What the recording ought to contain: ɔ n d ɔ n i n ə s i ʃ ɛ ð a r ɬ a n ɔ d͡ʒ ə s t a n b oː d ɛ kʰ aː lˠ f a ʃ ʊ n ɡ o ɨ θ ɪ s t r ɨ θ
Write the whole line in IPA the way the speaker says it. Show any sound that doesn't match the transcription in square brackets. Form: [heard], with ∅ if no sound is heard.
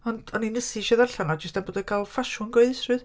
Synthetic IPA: ɔ n d ɔ n i n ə s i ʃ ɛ ð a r ɬ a n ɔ d͡ʒ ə s t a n b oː d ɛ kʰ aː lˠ f a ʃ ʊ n ɡ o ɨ [ð] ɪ s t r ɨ [ð]

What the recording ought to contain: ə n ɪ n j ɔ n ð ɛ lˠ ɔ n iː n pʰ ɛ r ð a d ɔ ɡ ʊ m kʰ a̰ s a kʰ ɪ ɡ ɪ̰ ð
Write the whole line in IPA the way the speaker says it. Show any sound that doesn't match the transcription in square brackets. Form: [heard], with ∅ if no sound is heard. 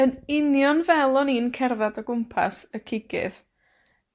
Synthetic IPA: ə n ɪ n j ɔ n [v] ɛ lˠ ɔ n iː n [kʰ] ɛ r ð a d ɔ ɡ ʊ m [pʰ] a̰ s [ə] kʰ ɪ ɡ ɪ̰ ð

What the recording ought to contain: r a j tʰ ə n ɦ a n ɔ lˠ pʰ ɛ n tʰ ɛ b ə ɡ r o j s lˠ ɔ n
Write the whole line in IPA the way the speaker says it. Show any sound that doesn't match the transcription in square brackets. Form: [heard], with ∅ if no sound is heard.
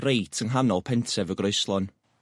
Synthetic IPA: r [e] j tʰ ə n ɦ a n ɔ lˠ pʰ ɛ n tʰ ɛ [v] ə ɡ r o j s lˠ ɔ n

